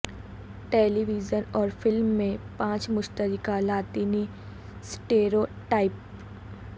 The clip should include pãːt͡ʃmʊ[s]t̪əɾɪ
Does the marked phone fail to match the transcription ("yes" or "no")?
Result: yes